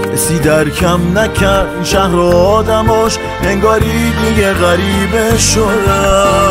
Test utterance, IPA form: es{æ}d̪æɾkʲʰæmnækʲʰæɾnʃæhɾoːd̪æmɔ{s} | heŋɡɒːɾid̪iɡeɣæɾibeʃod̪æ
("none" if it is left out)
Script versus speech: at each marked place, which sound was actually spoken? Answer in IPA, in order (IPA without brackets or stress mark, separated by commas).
i, ʃ